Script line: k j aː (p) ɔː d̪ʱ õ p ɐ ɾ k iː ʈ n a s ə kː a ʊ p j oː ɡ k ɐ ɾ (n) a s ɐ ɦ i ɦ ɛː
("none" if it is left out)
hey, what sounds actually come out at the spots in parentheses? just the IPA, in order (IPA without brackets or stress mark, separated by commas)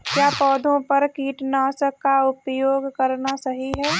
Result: p, n